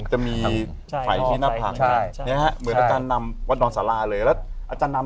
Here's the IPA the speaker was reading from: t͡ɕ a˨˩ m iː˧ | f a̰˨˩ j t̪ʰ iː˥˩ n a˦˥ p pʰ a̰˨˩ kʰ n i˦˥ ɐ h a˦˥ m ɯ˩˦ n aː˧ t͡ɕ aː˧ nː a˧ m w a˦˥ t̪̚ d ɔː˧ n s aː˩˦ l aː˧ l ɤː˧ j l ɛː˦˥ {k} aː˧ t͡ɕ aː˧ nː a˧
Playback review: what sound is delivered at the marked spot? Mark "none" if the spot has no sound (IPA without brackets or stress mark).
ʔ